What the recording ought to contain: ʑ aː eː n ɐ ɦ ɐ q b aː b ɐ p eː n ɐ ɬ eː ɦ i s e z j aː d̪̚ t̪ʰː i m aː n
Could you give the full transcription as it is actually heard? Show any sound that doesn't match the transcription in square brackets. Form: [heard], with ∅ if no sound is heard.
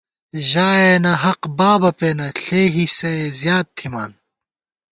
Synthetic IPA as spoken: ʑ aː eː n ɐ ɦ ɐ q b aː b ɐ p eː n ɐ ɬ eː ɦ i s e z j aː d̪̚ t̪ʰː i m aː n